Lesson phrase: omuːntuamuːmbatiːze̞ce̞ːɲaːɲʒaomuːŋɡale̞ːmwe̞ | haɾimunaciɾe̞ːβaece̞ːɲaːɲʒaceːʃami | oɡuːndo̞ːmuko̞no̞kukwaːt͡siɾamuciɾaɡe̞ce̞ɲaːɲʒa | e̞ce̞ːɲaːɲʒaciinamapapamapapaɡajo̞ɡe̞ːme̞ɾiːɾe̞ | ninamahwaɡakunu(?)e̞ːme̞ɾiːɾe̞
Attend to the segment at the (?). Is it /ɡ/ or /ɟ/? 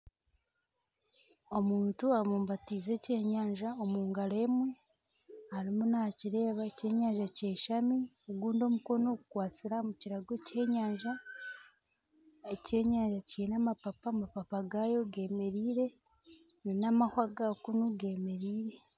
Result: ɡ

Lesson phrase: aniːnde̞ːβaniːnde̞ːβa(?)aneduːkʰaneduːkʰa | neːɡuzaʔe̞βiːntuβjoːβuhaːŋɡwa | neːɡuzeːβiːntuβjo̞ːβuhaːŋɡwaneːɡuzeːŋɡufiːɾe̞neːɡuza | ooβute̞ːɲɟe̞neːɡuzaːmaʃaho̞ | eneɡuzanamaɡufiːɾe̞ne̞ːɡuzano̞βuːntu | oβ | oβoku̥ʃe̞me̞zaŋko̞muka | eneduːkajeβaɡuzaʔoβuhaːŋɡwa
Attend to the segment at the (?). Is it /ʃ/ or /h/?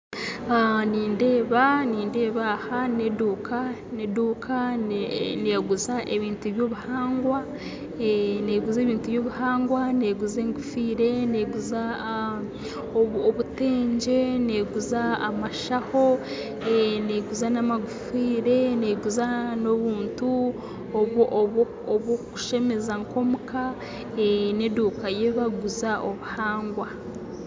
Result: h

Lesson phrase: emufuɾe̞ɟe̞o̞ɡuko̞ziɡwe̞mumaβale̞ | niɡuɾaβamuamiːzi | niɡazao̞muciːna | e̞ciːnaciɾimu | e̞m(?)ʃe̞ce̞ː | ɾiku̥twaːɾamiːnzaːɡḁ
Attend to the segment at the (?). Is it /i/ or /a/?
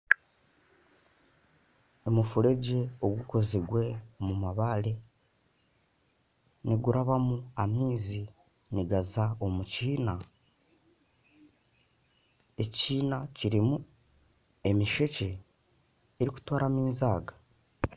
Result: i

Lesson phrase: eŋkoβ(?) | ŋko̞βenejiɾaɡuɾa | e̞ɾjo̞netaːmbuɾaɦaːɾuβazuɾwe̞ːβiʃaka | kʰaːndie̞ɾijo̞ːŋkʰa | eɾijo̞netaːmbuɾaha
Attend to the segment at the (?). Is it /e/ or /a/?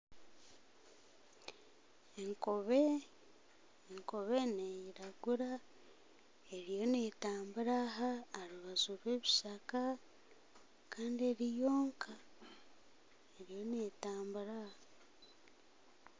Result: e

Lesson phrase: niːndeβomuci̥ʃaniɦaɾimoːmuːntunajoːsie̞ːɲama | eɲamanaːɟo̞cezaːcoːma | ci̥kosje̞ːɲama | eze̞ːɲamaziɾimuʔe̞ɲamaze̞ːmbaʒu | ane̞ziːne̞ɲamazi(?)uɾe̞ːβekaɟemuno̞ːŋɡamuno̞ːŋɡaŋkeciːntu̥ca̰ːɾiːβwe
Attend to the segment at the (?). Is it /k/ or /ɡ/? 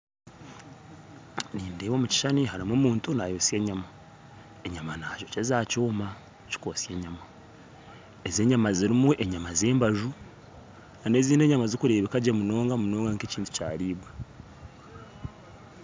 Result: k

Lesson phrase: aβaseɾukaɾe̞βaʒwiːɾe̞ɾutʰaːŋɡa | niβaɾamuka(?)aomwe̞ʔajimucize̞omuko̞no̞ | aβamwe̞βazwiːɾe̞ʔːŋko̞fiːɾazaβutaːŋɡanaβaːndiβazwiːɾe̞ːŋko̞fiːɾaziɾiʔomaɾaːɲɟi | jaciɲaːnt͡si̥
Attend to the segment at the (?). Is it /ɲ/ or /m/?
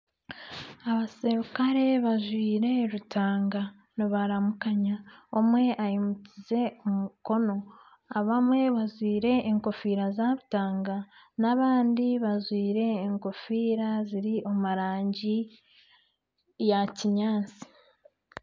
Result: ɲ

